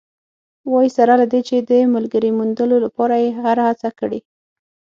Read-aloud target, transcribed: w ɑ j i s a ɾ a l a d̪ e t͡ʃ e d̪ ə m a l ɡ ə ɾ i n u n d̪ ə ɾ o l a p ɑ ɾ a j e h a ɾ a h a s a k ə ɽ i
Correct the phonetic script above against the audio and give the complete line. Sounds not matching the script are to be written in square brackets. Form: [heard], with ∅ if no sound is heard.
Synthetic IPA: w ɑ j i s a ɾ a l a d̪ e t͡ʃ e d̪ ə m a l ɡ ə ɾ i [m] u n d̪ ə [l] o l a p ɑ ɾ a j e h a ɾ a h a [t͡s] a k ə ɽ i